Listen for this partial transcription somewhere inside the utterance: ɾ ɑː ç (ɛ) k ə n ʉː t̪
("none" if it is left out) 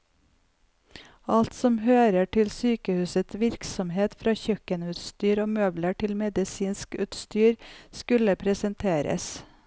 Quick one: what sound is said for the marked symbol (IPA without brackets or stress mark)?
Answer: œ